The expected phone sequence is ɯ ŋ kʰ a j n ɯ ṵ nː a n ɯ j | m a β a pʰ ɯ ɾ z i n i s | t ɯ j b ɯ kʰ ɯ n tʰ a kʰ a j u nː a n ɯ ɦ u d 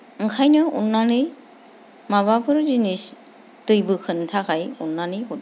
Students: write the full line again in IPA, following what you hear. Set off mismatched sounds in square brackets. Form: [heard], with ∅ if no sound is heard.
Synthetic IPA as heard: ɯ ŋ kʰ a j n ɯ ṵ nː a n ɯ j | m a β a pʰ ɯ ɾ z i n i s | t ɯ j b ɯ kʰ ɯ n tʰ a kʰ a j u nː a n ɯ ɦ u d